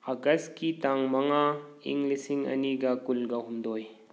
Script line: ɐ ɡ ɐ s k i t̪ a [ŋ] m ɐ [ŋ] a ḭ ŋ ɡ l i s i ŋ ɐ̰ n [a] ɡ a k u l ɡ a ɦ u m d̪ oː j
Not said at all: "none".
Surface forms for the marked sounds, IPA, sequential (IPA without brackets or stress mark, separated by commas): ŋ, ŋ, i